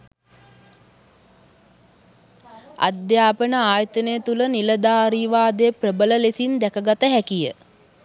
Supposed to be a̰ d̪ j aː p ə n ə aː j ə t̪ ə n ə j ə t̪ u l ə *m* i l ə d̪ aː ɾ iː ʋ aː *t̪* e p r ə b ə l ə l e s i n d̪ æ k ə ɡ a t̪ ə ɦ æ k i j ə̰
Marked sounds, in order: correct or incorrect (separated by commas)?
incorrect, incorrect